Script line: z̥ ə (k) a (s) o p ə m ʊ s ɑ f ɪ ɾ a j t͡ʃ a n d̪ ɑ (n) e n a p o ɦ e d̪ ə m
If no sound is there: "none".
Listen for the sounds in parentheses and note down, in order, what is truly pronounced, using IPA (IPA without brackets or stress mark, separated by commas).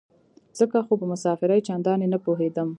k, x, n